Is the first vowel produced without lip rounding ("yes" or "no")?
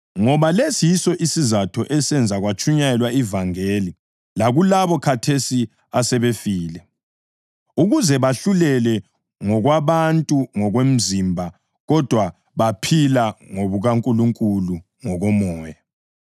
no